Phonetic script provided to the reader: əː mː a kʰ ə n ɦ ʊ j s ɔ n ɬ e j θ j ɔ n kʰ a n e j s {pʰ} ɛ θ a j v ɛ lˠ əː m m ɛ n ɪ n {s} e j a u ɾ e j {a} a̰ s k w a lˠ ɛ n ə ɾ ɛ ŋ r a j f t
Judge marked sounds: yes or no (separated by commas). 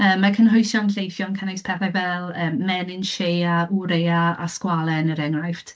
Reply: yes, no, yes